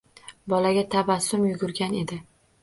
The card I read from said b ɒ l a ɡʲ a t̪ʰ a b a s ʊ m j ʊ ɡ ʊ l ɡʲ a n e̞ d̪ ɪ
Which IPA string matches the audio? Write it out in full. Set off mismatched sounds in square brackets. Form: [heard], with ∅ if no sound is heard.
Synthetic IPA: b ɒ l a ɡʲ a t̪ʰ a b a s ʊ m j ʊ ɡ ʊ [ɾ] ɡʲ a n e̞ d̪ ɪ